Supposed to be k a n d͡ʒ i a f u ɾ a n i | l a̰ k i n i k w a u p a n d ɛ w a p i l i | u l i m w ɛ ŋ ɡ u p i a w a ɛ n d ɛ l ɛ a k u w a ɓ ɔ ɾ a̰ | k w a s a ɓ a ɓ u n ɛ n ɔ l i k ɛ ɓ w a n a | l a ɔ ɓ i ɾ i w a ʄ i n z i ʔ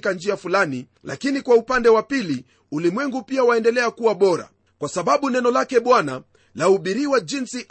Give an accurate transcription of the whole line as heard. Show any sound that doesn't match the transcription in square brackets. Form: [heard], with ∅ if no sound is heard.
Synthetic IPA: k a n d͡ʒ i a f u [l] a n i | l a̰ k i n i k w a u p a n d ɛ w a p i l i | u l i m w ɛ ŋ ɡ u p i a w a ɛ n d ɛ l ɛ a k u w a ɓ ɔ ɾ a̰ | k w a s a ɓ a ɓ u n ɛ n ɔ l [a] k ɛ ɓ w a n a | l a [u] ɓ i ɾ i w a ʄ i n [s] i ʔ